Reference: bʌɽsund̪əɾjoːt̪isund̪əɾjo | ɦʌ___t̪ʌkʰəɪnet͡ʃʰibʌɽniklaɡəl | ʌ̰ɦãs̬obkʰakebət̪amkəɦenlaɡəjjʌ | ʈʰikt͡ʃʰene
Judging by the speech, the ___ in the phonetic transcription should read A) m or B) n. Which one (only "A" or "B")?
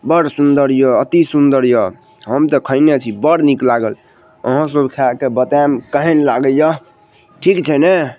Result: A